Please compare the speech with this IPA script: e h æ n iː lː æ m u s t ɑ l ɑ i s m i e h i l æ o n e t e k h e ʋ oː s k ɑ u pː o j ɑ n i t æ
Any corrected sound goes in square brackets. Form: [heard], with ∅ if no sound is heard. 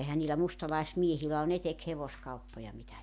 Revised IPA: e h æ n iː [l] æ m u s t ɑ l ɑ i s m i e h i l æ o n e t e k h e ʋ [o] s k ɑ u pː o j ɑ [m] i t æ